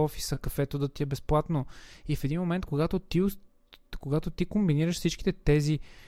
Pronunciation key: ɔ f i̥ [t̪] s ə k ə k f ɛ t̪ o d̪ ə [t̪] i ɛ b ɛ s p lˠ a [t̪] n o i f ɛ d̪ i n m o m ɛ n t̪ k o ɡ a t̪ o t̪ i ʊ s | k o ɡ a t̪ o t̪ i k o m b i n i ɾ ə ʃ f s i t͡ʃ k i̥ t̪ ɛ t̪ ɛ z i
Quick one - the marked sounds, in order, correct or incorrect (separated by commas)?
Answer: incorrect, correct, correct